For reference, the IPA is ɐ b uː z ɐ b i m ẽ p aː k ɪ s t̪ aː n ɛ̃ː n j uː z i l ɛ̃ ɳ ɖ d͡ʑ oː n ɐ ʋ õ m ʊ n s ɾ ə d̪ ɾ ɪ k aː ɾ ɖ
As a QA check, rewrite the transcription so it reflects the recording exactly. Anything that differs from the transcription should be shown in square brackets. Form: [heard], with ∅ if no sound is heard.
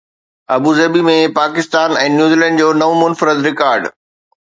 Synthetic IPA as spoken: ɐ b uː z ɐ b i m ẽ p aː k ɪ s t̪ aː n ɛ̃ː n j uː z i l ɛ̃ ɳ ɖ d͡ʑ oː n ɐ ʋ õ m ʊ n [f] ɾ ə d̪ ɾ ɪ k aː ɾ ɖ